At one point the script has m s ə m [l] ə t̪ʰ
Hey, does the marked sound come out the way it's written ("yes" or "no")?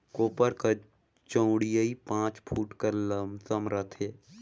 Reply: no